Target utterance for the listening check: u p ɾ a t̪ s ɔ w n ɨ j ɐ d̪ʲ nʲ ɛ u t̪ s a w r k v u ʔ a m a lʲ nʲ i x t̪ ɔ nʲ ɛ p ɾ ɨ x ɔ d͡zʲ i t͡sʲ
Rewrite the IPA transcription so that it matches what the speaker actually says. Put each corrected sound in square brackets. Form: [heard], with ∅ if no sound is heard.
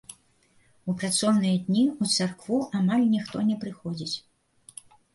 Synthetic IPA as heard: u p ɾ a t̪ s ɔ w n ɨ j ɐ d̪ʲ nʲ [i] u t̪ s a [∅] r k v u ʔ a m a lʲ nʲ i x t̪ ɔ nʲ ɛ p ɾ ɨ x ɔ d͡zʲ i t͡sʲ